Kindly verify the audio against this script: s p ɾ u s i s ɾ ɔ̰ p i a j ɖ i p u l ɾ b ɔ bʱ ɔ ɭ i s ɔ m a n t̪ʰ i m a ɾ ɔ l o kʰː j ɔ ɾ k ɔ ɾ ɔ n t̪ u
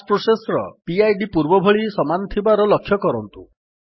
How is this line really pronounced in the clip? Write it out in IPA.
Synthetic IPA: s p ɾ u s e s ɾ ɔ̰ p i a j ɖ i p u ɾ b ɔ bʱ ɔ ɭ i s ɔ m a n t̪ʰ i b a ɾ ɔ l ɔ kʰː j ɔ k ɔ ɾ ɔ n t̪ u